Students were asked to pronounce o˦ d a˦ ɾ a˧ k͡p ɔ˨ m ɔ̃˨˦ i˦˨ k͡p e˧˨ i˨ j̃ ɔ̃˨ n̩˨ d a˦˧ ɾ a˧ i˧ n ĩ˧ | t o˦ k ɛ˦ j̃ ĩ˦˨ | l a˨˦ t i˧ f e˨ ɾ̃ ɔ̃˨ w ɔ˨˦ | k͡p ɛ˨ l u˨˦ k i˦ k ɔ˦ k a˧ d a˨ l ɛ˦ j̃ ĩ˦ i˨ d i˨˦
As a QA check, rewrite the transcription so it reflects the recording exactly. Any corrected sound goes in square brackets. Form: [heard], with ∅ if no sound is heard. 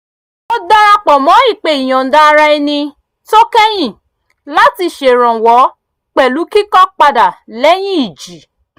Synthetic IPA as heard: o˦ d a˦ ɾ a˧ k͡p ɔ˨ m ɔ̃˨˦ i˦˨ k͡p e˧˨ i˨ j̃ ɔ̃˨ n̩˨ d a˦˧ ɾ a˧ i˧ n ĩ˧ | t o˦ k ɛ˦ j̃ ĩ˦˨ | l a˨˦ t i˧ [ʃ] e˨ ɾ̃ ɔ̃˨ w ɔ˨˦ | k͡p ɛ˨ l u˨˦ k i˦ k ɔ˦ [k͡p] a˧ d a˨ l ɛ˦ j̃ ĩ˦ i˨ [d͡ʒ] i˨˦